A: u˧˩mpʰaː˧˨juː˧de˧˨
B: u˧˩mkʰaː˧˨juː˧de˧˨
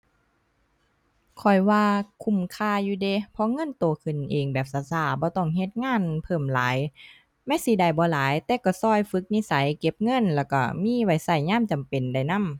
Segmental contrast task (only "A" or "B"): B